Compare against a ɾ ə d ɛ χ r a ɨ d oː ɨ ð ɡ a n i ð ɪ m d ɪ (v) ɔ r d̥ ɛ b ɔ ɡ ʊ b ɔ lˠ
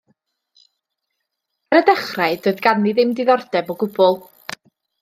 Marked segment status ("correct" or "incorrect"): incorrect